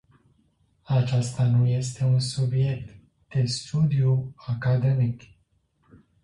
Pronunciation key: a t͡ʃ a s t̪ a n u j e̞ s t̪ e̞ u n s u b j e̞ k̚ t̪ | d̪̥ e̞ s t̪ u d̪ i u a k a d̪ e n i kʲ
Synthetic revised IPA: a t͡ʃ a s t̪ a n u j e̞ s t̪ e̞ u n s u b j e̞ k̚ t̪ | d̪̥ e̞ s t̪ u d̪ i u a k a d̪ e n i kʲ